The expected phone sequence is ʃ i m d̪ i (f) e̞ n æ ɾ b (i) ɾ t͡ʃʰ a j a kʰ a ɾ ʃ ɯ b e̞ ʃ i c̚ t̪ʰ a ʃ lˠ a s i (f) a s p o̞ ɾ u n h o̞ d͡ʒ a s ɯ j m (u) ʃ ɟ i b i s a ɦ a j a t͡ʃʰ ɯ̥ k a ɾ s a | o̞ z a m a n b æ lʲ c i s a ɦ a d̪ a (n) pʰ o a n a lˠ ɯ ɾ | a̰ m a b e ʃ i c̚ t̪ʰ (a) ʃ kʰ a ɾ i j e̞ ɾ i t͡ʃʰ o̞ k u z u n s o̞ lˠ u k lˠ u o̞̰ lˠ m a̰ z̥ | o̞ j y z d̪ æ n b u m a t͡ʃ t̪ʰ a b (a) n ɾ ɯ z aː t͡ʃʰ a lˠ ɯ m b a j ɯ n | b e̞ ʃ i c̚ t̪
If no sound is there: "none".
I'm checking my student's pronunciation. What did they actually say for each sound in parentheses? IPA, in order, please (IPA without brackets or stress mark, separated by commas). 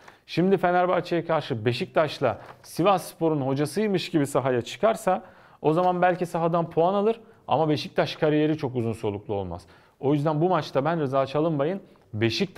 f, a, v, ɯ, n, a, æ